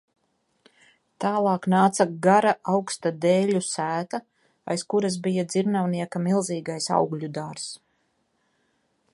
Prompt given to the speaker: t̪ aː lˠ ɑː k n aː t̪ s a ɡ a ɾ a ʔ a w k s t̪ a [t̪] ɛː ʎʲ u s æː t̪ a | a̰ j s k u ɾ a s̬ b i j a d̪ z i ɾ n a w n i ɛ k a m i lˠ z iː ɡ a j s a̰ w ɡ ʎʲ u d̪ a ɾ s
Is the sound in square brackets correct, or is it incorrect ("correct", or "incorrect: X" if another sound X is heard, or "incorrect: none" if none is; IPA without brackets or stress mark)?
incorrect: d̪